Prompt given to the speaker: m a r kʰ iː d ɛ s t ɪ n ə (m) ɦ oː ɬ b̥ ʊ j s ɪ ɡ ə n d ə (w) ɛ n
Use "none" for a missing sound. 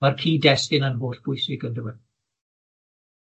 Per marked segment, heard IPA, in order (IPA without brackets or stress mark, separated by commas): n, w